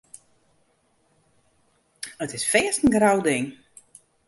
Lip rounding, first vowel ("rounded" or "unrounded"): unrounded